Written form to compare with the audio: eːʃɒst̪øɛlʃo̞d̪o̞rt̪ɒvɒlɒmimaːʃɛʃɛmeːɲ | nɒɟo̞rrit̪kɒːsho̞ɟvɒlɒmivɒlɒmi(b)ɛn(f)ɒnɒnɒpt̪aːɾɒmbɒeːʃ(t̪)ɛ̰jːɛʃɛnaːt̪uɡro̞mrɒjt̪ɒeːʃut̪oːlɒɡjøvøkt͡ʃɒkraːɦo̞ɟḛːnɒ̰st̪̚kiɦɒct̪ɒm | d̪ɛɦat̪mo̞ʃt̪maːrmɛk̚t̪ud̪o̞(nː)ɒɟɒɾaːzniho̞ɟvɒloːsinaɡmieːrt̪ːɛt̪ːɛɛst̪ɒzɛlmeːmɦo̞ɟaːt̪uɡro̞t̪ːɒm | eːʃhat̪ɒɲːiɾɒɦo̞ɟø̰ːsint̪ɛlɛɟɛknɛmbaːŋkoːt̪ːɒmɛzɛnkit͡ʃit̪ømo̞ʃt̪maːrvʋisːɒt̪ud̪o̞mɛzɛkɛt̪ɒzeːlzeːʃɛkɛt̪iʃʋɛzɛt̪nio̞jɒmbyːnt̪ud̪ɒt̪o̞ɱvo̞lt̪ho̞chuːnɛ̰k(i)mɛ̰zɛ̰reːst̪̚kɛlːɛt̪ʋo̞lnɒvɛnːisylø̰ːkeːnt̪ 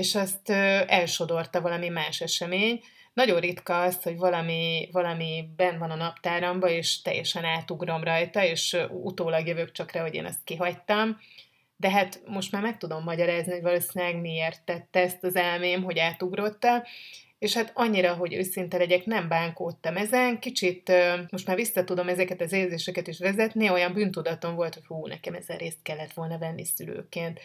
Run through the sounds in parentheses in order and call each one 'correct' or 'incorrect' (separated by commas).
correct, incorrect, correct, incorrect, incorrect